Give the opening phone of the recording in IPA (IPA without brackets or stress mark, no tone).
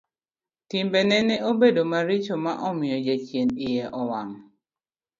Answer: t